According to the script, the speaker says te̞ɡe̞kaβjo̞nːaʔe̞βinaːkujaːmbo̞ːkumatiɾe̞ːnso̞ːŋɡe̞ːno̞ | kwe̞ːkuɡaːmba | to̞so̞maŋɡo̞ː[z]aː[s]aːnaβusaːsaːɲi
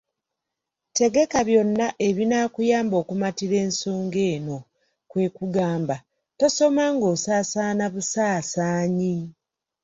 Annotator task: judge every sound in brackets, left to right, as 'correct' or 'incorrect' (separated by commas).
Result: incorrect, correct